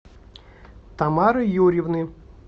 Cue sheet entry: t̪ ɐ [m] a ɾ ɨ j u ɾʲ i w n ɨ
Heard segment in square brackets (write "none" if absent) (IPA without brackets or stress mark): m